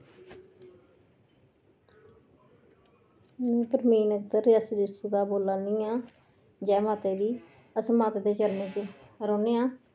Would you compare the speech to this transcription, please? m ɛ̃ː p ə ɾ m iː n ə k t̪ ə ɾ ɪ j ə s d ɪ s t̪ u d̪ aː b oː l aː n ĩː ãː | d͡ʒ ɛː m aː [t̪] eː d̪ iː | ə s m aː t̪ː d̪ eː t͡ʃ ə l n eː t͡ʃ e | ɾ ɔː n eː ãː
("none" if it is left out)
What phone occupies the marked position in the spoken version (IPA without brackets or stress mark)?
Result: t̪